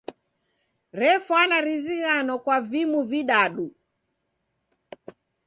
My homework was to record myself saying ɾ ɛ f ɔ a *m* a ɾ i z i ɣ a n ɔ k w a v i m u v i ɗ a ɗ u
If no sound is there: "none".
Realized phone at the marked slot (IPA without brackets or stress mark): n